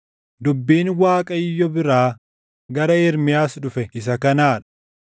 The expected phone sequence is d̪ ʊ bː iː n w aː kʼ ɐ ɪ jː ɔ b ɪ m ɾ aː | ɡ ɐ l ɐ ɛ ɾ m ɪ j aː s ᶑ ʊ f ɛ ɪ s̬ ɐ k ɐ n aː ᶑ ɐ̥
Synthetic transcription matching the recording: d̪ ʊ bː iː n w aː kʼ ɐ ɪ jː ɔ b ɪ ɾ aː | ɡ ɐ ɾ ɐ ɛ ɾ m ɪ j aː s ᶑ ʊ f ɛ ɪ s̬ ɐ k ɐ n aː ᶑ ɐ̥